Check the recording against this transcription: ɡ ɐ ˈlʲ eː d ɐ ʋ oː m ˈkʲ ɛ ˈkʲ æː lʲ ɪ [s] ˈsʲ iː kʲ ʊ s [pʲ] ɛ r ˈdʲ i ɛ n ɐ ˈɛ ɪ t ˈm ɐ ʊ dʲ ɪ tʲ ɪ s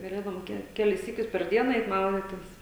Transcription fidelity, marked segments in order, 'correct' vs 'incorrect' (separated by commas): correct, correct